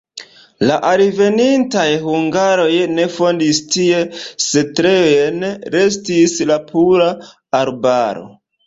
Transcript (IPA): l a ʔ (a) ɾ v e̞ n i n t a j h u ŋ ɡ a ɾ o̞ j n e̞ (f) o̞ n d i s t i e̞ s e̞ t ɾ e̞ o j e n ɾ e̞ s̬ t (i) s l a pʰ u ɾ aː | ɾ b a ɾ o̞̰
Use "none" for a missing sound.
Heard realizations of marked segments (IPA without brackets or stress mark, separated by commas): a, f, i